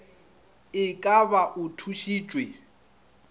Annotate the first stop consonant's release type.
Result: ejective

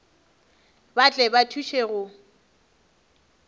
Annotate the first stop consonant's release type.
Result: plain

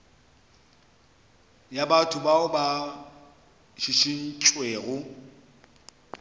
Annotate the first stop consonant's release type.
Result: plain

